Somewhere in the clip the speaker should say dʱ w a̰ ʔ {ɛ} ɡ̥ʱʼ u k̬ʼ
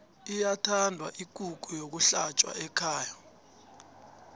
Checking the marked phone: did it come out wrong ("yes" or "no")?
yes